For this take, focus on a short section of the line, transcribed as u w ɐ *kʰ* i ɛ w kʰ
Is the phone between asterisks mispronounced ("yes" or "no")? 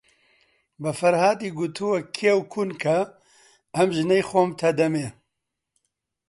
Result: no